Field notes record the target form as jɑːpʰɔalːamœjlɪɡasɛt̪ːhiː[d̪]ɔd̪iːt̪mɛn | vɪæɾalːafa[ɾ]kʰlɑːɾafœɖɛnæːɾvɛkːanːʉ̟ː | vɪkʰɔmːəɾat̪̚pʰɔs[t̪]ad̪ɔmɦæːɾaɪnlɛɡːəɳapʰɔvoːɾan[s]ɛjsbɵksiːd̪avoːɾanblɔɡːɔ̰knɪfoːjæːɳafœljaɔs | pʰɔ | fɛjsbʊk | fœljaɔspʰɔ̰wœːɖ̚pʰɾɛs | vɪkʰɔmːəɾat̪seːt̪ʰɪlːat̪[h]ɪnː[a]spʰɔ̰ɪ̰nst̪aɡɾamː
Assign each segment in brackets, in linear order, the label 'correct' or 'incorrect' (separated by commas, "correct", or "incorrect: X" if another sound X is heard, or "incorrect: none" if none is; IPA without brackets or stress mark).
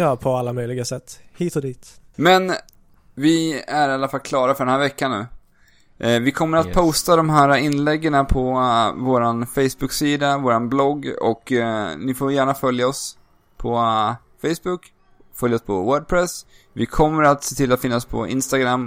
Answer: incorrect: t̪, incorrect: l, correct, incorrect: f, incorrect: f, correct